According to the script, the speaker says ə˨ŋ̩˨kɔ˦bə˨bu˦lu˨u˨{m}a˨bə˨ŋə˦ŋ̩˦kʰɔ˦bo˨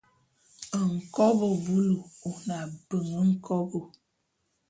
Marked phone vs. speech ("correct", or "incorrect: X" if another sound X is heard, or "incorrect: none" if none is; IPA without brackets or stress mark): incorrect: n